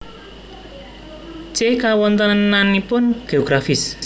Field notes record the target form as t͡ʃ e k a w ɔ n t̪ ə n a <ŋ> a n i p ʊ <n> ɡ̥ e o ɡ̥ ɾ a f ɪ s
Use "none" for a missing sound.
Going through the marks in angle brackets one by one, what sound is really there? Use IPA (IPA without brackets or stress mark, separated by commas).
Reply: n, n